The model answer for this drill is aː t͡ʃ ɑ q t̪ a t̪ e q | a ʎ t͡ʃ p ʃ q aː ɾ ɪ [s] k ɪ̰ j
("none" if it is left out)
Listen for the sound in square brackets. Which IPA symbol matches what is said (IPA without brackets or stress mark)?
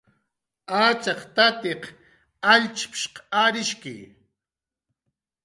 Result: ʃ